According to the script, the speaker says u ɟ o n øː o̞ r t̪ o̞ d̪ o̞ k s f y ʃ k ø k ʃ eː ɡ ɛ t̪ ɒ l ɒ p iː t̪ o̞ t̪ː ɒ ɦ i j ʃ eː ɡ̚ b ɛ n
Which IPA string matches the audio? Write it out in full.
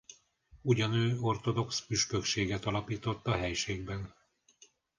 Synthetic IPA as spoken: u ɟ ɒ n øː o̞ r t̪ o̞ d̪ o̞ k s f y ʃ k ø k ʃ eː ɡ ɛ t̪ ɒ l ɒ p iː t̪ o̞ t̪ː ɒ ɦ ɛ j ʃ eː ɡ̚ b ɛ n